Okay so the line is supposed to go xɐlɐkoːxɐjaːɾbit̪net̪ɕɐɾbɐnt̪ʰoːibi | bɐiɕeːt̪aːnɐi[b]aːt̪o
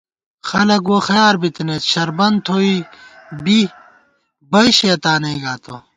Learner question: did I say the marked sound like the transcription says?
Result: no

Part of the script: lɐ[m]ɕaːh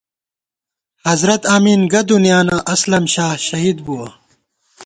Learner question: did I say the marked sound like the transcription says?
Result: yes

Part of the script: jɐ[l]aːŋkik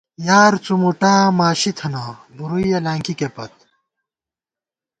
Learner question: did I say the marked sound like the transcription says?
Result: yes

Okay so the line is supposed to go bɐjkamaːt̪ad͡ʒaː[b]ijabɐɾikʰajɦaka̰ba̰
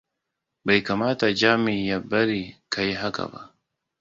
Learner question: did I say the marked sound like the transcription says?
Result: no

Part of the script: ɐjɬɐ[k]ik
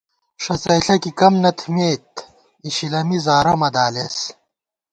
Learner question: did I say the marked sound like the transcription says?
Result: yes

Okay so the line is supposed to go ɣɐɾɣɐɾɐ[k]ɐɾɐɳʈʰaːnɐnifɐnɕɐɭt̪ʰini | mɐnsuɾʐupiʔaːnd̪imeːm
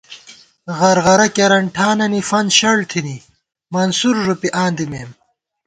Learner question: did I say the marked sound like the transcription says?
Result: yes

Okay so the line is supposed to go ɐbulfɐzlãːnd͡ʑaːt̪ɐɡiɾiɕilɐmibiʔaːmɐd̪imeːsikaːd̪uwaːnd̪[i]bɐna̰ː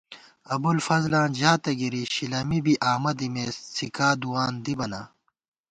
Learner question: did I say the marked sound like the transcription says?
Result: yes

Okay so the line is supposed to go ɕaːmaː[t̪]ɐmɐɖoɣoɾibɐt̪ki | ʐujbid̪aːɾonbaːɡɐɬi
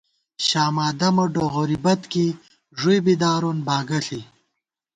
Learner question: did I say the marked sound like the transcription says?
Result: no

